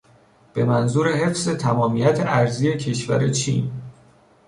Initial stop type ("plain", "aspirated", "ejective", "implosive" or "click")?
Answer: plain